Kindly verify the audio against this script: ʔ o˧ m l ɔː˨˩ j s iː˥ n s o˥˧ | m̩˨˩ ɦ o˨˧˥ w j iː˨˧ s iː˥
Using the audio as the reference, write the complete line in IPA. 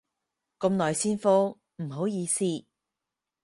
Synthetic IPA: k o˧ m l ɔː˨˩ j s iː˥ n f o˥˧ | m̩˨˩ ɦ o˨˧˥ w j iː˨˧ s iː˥